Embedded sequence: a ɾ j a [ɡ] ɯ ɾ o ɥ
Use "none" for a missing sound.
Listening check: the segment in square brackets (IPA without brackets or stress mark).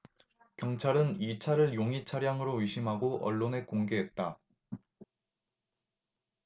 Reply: ŋ